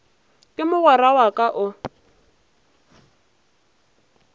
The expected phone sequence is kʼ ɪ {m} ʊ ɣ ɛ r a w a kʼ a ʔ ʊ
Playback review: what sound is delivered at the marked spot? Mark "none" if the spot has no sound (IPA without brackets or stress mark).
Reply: m